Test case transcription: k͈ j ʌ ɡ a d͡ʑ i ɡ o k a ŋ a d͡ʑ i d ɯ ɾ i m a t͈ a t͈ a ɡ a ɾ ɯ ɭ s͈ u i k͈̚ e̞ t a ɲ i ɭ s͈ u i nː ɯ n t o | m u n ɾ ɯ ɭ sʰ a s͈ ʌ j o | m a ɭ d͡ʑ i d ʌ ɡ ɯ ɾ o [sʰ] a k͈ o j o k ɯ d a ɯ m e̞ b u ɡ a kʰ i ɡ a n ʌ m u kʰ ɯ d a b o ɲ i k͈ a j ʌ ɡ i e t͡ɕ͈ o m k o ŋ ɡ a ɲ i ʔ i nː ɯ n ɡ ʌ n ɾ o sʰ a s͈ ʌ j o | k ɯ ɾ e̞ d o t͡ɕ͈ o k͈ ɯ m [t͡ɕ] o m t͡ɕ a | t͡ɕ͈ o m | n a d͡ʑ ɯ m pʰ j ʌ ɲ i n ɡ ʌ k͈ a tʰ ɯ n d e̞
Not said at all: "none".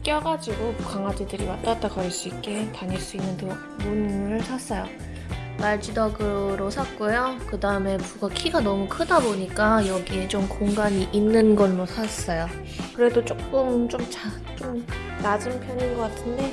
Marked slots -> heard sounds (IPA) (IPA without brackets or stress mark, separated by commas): sʰ, t͡ɕ